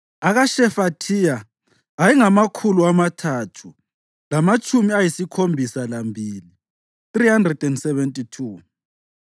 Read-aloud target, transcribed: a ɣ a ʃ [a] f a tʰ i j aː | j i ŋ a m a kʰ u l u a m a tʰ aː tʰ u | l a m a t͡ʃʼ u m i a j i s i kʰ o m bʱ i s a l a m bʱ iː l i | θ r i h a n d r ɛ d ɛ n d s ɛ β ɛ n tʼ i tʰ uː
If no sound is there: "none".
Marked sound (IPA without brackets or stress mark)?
ɛ